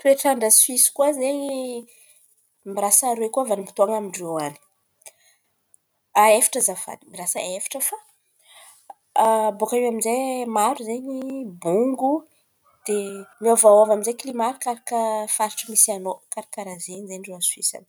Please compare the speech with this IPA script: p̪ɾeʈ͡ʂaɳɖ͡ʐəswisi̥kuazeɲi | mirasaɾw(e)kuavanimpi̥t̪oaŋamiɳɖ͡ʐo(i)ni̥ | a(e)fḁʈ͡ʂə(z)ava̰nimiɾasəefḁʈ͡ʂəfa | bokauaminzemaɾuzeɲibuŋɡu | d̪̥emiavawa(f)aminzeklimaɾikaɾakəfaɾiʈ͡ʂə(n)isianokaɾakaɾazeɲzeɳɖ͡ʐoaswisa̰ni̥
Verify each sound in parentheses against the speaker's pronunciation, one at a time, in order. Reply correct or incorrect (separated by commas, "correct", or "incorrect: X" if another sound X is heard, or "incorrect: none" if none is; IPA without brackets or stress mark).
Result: correct, incorrect: a, correct, correct, incorrect: v, incorrect: m